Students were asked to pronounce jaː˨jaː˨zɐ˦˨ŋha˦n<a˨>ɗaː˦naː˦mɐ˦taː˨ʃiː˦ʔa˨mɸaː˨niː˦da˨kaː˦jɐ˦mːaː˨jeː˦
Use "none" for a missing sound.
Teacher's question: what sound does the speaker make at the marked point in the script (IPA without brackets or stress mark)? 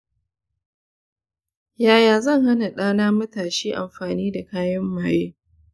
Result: a˨